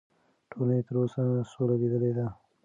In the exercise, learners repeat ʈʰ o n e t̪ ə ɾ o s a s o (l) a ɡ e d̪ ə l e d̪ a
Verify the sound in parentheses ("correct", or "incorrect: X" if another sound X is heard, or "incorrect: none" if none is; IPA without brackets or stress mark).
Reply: correct